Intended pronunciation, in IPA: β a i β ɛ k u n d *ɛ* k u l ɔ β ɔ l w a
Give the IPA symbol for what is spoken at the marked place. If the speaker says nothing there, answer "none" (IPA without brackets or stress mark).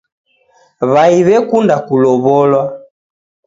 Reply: a